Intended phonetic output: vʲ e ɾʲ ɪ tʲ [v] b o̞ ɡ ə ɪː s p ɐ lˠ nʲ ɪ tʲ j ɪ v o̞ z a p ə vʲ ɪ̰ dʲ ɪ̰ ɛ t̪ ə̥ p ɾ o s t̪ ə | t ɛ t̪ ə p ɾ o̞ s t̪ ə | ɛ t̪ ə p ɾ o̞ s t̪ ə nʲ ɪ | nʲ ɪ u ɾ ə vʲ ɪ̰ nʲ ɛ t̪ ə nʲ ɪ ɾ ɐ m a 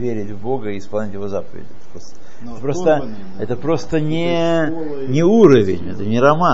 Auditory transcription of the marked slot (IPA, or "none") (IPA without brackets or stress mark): v